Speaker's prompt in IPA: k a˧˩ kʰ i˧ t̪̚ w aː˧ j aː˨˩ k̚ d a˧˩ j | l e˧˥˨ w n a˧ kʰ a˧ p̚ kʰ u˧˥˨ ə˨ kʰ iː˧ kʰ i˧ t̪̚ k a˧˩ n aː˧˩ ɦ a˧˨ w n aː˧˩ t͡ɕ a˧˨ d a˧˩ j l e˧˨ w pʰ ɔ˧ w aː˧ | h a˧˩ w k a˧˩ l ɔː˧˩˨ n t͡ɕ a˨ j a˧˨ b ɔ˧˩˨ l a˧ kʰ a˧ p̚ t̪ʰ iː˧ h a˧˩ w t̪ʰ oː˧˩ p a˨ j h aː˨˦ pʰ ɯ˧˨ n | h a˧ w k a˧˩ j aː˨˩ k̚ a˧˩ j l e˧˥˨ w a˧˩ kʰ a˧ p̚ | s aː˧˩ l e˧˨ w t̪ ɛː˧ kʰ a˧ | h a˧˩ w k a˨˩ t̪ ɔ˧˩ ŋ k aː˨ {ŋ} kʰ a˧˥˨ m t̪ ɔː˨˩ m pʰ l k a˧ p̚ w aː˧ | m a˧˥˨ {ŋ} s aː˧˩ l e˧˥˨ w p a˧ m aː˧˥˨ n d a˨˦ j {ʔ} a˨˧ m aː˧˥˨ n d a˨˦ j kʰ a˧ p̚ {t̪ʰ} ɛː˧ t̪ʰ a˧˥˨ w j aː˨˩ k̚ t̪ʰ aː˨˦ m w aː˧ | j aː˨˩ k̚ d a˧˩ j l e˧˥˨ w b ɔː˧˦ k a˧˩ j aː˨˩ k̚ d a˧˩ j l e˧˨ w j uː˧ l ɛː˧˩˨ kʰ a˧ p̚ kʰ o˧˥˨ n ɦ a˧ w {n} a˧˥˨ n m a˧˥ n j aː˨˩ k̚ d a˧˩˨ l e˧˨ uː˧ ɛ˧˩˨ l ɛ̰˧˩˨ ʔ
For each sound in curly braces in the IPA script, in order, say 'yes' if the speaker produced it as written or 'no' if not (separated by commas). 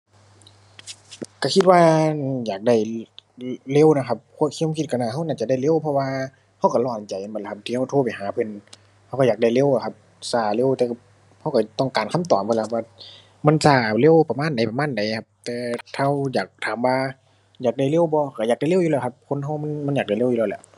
no, no, no, no, no